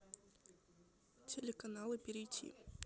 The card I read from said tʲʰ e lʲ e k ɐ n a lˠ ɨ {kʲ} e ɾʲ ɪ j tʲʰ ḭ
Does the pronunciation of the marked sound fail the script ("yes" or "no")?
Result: yes